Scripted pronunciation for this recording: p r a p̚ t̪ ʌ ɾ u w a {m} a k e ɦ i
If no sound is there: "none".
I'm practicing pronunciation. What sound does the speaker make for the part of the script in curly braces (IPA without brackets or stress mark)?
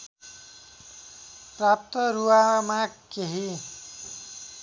m